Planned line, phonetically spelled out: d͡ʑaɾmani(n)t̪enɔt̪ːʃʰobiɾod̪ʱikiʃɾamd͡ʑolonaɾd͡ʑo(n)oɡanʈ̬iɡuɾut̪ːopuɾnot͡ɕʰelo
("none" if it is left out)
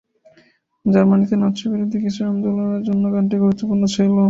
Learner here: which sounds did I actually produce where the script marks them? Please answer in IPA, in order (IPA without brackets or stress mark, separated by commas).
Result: none, nː